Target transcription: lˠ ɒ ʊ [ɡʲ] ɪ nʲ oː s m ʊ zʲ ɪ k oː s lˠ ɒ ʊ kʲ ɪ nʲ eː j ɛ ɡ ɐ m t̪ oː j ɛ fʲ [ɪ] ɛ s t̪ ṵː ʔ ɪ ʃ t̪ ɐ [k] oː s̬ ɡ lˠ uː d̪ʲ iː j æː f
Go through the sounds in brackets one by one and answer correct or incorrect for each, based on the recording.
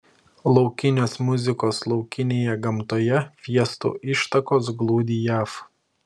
incorrect, incorrect, correct

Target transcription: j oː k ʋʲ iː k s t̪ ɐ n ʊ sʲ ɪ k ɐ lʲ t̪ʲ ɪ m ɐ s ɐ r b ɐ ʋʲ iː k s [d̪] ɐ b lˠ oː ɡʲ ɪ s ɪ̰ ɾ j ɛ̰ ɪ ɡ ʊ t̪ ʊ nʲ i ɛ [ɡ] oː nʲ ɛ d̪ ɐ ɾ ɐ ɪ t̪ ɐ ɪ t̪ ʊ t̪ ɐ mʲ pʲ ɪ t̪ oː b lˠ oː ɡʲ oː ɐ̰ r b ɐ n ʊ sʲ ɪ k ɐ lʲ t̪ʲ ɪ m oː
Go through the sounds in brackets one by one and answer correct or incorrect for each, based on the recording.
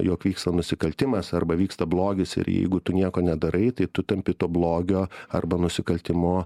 incorrect, incorrect

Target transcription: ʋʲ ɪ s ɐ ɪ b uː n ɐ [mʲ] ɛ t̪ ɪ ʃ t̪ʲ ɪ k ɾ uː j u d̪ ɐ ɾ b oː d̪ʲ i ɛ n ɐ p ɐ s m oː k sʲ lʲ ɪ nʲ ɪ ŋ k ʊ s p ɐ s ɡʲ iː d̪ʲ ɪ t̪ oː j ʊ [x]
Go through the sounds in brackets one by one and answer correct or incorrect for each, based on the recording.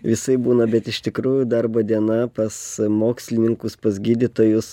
incorrect, incorrect

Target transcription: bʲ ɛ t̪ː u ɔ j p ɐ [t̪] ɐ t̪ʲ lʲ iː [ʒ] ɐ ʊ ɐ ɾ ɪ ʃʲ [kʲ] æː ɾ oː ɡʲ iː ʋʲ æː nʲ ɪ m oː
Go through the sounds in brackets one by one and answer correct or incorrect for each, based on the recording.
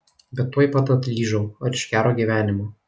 correct, correct, correct

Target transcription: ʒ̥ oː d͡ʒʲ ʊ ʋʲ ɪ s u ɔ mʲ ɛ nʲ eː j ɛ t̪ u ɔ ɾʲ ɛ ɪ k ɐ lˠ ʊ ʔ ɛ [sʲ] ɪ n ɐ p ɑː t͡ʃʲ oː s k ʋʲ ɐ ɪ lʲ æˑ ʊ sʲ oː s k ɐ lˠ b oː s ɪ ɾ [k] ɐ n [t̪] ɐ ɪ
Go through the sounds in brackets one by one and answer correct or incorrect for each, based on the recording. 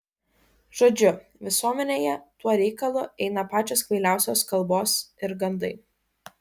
incorrect, incorrect, incorrect

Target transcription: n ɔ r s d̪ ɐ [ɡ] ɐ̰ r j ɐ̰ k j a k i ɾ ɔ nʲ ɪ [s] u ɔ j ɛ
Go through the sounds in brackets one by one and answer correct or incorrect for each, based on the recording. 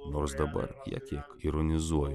incorrect, incorrect

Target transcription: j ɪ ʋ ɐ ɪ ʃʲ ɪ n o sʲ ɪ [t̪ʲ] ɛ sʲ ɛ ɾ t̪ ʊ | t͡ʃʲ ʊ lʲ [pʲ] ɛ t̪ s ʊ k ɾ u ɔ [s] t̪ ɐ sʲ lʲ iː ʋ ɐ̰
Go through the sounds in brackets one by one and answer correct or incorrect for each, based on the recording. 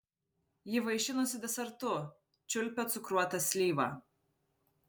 incorrect, correct, incorrect

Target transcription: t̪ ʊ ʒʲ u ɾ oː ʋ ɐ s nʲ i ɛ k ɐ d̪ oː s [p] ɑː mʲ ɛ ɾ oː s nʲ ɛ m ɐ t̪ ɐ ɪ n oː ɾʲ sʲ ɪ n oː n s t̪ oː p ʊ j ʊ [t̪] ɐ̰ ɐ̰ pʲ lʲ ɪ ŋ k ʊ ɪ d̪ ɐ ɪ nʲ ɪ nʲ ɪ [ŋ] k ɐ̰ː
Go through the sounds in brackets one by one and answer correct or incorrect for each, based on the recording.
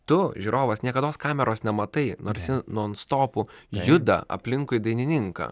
incorrect, incorrect, correct

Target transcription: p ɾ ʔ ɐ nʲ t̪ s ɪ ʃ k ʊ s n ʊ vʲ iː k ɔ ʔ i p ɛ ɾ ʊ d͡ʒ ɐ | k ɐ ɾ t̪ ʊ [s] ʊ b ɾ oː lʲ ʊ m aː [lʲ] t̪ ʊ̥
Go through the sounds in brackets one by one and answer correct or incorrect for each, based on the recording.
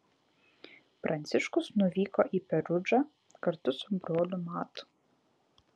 correct, incorrect

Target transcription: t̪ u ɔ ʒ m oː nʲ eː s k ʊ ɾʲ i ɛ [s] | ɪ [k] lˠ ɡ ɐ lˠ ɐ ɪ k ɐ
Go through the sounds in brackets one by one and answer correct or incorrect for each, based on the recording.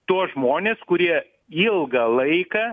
incorrect, incorrect

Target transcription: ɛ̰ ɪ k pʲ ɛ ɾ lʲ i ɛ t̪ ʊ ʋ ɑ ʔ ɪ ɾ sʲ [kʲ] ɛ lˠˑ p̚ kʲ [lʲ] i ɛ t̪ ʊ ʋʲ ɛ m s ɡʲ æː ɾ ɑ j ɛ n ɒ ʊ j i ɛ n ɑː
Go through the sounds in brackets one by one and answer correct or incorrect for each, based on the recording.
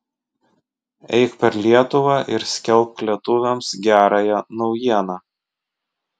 correct, correct

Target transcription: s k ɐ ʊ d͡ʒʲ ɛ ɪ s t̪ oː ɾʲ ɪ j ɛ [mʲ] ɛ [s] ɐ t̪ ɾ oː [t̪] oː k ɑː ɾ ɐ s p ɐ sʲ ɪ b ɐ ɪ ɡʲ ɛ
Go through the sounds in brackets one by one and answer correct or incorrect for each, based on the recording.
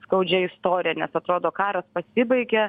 incorrect, correct, incorrect

